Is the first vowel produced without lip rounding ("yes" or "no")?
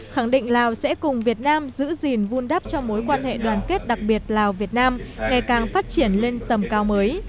yes